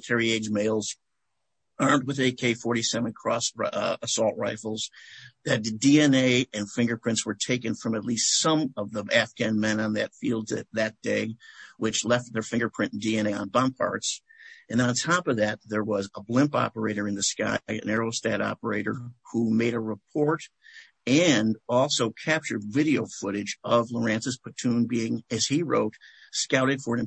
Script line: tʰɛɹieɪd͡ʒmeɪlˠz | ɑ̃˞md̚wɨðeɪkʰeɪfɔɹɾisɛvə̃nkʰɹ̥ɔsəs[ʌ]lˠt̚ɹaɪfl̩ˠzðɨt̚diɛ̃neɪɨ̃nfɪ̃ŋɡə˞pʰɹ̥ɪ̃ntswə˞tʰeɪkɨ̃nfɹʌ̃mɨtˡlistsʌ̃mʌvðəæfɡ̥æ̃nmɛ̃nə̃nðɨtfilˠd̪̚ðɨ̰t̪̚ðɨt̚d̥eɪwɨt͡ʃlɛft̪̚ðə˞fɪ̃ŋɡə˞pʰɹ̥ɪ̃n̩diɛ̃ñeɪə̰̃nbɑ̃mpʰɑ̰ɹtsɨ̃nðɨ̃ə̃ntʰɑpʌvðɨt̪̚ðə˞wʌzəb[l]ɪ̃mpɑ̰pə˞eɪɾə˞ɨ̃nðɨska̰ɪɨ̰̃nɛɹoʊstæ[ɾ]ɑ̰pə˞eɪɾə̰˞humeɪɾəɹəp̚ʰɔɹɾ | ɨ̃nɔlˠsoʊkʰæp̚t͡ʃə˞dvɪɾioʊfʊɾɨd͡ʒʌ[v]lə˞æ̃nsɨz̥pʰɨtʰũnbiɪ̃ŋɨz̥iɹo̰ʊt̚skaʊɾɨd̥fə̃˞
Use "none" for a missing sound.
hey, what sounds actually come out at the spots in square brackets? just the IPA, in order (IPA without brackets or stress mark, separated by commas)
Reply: ɔ, l, ɾ, v